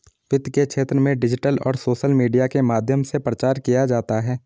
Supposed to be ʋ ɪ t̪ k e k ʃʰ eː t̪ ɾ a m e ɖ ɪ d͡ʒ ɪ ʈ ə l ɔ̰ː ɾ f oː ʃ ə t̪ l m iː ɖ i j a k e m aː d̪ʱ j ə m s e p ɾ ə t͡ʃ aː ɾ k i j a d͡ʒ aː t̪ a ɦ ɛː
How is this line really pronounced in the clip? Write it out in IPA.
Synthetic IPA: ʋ ɪ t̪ k e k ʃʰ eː t̪ ɾ ə m ẽ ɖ ɪ d͡ʒ ɪ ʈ ə l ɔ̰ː ɾ s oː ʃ ə l m iː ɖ i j a k e m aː d̪ʱ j ə m s e p ɾ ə t͡ʃ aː ɾ k i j a d͡ʒ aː t̪ a ɦ ɛː